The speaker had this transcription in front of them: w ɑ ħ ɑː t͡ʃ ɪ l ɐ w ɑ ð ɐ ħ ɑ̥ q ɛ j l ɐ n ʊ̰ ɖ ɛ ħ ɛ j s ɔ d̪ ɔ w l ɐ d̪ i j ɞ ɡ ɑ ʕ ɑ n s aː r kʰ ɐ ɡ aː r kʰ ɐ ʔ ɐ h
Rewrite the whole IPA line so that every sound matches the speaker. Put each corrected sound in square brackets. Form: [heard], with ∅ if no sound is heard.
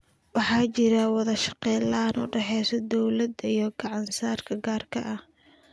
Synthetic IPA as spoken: w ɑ ħ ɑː t͡ʃ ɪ [ɾ] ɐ w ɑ ð ɐ [ʃ] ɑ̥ q ɛ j l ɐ n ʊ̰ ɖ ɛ ħ ɛ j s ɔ d̪ ɔ w l ɐ d̪ i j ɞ ɡ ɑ ʕ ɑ n s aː r kʰ ɐ ɡ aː r kʰ ɐ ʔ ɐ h